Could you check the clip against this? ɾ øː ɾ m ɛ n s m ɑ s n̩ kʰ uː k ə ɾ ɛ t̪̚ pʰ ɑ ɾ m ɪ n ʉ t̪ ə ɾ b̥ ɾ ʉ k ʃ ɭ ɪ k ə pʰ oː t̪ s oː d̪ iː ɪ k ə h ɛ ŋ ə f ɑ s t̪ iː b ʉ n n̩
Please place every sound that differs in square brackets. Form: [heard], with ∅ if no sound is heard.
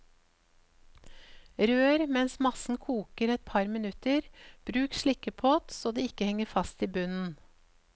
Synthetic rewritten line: ɾ øː ɾ m ɛ n s m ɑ s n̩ kʰ uː k ə ɾ ɛ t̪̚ pʰ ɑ ɾ m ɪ n ʉ t̪ ə ɾ b̥ ɾ [ʉː] k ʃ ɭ ɪ k ə pʰ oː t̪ s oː d̪ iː ɪ k ə h ɛ ŋ ə f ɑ s t̪ iː b ʉ n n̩